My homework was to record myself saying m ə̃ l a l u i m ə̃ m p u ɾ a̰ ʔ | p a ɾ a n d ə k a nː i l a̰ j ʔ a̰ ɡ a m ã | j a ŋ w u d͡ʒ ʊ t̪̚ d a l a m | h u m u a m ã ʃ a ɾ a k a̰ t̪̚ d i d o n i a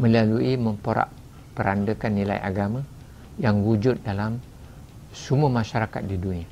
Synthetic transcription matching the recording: m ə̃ l a l u i m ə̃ m p o ɾ a̰ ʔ | p ə ɾ a n d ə k a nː i l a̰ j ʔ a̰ ɡ a m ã | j a ŋ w u d͡ʒ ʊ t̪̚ d a l a m | s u m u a m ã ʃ a ɾ a k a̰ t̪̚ d i d u n i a